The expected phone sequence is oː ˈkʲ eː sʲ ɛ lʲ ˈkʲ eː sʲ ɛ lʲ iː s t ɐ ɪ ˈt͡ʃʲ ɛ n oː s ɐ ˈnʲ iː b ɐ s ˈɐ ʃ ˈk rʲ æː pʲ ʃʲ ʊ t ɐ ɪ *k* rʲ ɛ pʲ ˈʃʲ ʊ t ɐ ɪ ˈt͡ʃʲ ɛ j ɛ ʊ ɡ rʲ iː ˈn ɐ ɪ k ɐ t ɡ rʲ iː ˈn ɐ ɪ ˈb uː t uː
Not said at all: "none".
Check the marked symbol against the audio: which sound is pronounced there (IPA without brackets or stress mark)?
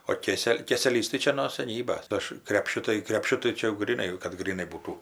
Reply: k